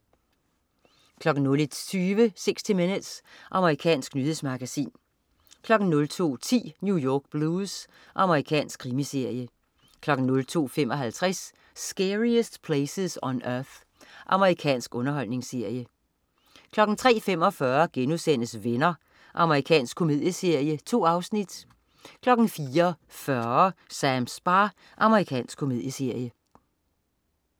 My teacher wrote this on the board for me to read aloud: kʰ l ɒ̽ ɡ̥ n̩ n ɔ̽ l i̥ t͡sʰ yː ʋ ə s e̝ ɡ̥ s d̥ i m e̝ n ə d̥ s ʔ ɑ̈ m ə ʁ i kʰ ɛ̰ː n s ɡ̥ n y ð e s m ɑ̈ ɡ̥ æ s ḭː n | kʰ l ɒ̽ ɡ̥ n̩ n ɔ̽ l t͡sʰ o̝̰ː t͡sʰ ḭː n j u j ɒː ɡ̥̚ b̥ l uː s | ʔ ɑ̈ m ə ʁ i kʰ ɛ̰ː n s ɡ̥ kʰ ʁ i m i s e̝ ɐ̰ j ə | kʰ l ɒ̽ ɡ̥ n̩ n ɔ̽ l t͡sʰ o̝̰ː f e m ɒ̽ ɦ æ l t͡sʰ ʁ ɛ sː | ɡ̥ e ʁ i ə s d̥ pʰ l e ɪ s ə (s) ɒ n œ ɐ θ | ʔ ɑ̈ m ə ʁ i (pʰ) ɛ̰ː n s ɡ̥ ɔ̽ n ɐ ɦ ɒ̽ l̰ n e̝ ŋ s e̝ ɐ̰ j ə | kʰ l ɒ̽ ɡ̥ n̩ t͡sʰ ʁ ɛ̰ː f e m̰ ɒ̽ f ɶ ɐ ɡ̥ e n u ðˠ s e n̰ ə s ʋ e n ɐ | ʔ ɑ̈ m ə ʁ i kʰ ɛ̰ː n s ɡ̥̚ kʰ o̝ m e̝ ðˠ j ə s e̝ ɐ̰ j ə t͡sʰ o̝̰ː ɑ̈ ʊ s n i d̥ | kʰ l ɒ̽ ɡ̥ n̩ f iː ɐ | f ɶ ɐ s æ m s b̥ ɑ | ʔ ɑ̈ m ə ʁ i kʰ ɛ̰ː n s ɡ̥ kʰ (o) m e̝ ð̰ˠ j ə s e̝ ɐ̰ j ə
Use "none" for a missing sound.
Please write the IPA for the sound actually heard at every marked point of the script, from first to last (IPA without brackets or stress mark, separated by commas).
s, kʰ, o